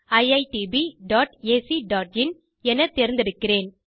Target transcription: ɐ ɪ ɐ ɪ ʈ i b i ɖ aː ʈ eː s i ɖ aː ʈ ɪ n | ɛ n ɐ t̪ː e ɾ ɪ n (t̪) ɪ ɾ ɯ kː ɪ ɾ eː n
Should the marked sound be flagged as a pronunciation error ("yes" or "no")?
yes